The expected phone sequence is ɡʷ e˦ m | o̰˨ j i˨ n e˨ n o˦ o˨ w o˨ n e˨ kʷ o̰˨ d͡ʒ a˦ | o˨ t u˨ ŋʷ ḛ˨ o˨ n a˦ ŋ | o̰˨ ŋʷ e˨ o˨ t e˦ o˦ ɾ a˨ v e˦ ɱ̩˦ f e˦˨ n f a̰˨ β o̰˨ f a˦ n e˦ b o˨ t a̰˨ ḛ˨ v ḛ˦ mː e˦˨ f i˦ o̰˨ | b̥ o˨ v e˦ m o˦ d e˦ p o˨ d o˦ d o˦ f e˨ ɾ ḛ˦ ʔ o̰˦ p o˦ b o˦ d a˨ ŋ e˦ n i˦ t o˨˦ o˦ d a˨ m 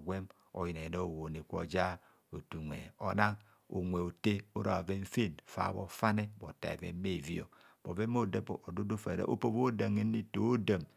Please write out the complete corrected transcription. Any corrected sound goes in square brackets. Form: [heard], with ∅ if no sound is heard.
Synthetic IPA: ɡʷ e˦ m | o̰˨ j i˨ n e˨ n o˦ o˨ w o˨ n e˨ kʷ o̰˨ d͡ʒ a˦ | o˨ t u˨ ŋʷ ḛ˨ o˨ n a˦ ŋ | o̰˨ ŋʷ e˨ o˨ t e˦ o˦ ɾ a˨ v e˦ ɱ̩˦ f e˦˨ n f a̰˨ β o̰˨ f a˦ n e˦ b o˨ t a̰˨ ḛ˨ v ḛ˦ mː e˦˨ [v] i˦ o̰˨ | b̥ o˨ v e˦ m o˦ d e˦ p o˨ d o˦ d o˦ f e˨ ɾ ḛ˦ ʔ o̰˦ p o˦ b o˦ d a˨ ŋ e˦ n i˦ t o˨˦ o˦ d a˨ m